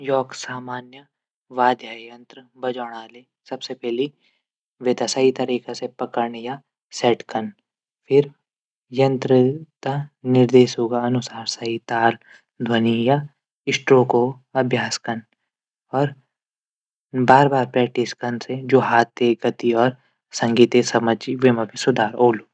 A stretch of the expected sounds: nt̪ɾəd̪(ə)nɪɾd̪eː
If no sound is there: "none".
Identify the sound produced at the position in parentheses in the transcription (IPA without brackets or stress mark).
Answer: a